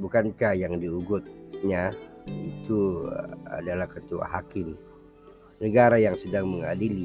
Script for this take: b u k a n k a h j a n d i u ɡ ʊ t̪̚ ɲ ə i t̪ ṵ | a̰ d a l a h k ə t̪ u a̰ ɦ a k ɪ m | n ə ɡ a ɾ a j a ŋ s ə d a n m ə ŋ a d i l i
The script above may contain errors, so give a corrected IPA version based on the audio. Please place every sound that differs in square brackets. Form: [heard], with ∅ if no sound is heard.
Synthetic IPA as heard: b u k a n k a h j a [ŋ] d i u ɡ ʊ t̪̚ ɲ [a] i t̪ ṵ | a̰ d a l a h k ə t̪ u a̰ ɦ a k ɪ m | n ə ɡ a ɾ a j a ŋ s ə d a [ŋ] m ə ŋ a d i l i